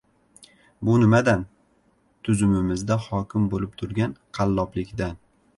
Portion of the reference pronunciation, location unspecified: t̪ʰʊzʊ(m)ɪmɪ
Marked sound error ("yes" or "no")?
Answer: no